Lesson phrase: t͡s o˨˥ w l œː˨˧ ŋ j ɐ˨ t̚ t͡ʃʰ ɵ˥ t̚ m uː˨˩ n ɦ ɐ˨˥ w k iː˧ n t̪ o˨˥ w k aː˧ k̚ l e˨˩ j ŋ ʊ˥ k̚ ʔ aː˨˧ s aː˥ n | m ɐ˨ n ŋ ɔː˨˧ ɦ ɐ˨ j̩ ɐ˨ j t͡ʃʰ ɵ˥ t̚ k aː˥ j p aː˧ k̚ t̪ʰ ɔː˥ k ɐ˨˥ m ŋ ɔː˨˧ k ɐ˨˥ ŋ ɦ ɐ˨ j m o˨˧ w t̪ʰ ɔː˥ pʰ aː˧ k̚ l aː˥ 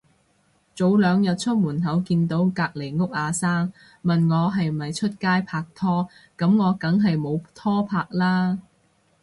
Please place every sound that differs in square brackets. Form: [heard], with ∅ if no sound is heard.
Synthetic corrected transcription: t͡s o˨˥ w l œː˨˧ ŋ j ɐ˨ t̚ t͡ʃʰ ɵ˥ t̚ m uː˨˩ n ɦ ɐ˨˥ w k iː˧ n t̪ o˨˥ w k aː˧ k̚ l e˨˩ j ŋ ʊ˥ k̚ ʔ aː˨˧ s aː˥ [ŋ] | m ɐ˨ n ŋ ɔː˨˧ ɦ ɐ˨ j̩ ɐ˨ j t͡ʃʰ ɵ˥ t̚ k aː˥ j [pʰ] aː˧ k̚ t̪ʰ ɔː˥ k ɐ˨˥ m ŋ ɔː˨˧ k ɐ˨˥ ŋ ɦ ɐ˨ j m o˨˧ w t̪ʰ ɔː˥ pʰ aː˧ k̚ l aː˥